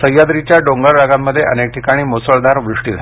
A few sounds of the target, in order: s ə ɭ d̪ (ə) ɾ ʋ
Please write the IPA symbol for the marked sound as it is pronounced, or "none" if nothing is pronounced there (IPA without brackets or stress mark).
a